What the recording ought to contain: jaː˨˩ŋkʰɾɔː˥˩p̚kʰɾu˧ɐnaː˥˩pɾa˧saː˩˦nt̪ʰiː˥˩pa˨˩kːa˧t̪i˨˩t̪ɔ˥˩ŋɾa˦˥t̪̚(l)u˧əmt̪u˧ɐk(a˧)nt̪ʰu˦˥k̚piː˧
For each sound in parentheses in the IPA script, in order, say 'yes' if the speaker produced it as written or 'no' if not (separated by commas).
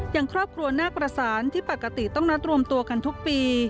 no, yes